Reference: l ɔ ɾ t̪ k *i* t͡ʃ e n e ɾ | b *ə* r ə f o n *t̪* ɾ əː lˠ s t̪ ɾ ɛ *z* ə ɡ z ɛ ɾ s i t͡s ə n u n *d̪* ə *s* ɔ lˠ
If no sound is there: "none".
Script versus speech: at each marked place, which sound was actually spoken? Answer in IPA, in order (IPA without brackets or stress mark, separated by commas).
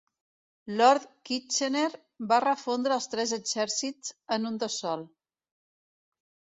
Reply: i, a, d̪, z, d̪, s